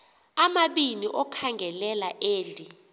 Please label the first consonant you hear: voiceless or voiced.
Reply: voiced